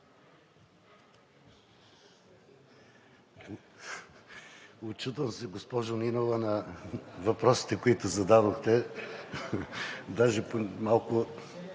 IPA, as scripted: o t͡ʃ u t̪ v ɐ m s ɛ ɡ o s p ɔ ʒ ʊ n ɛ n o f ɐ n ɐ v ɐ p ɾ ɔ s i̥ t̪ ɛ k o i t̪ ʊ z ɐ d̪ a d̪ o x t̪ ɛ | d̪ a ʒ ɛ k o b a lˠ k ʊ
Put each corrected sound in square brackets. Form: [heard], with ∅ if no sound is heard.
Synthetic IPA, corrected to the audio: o t͡ʃ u t̪ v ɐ m s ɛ ɡ o s p ɔ ʒ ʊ n [i] n o [v] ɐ n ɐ v ɐ p ɾ ɔ s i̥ t̪ ɛ k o i t̪ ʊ z ɐ d̪ a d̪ o x t̪ ɛ | d̪ a ʒ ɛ [p] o [m] a lˠ k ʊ